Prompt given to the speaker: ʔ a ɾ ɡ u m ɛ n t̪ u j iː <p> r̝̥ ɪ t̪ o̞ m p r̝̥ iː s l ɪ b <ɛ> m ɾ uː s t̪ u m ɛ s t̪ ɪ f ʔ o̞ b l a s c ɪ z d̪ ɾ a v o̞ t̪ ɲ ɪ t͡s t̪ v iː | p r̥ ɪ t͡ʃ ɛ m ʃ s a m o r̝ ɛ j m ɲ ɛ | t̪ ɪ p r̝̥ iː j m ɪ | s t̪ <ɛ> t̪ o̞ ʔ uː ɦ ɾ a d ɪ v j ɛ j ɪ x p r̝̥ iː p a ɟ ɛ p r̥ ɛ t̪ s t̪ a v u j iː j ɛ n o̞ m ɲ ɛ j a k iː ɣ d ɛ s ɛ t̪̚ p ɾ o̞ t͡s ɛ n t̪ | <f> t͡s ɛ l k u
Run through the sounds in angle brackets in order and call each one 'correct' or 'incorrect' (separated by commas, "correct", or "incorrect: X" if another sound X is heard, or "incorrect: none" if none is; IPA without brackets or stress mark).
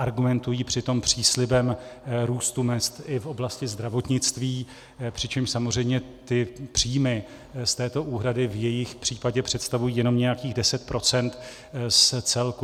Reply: correct, correct, incorrect: ɛː, incorrect: s